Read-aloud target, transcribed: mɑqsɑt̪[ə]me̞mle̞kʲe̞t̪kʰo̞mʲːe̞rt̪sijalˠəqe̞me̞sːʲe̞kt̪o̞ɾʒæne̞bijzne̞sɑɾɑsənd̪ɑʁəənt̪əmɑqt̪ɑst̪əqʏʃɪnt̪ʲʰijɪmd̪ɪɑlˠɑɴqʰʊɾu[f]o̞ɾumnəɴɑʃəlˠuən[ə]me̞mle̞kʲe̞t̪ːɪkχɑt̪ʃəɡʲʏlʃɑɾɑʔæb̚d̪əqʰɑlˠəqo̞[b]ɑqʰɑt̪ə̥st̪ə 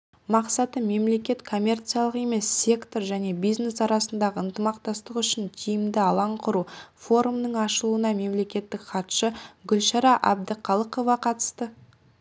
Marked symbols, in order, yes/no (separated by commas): yes, yes, no, no